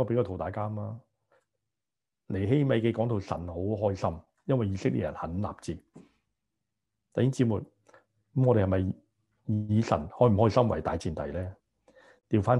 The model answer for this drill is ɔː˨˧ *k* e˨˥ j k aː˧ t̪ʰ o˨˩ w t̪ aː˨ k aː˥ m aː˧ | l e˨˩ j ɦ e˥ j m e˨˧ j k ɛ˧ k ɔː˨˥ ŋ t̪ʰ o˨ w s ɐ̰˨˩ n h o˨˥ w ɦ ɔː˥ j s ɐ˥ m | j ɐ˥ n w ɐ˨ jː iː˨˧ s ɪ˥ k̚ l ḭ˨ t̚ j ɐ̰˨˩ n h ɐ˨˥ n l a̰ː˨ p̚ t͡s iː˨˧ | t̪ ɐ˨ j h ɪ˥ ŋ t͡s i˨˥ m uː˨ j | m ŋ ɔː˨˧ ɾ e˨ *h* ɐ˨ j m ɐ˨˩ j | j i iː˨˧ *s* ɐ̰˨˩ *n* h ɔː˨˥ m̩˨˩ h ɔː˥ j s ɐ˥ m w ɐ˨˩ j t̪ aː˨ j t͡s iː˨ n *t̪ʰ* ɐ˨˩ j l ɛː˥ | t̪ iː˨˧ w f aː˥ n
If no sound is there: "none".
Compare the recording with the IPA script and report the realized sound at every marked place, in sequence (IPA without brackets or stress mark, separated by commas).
p, h, s, n, t̪